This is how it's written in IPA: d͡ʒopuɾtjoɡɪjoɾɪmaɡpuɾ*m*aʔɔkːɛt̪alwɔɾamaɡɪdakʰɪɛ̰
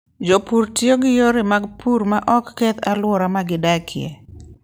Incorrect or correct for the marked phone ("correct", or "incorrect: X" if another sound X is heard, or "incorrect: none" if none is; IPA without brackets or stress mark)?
correct